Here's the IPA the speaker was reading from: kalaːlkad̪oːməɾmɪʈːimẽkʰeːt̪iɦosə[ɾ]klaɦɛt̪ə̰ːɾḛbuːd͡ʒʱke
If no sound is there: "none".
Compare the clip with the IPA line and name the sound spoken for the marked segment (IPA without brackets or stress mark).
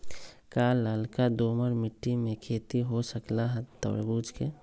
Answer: none